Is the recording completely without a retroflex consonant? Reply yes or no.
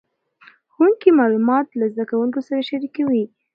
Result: yes